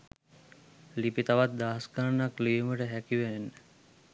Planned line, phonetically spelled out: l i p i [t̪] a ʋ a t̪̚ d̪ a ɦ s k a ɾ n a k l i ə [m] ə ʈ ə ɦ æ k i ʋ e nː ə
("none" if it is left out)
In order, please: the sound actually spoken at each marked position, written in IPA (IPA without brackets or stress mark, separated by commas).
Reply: t̪, m